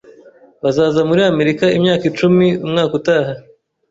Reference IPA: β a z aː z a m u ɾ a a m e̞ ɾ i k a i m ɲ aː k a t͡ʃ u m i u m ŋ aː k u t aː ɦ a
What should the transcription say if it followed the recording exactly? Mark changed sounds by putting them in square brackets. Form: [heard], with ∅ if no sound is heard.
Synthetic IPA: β a z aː z a m u ɾ [i] a m e̞ ɾ i k a i m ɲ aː k [i] t͡ʃ u m i u m ŋ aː k u t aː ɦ a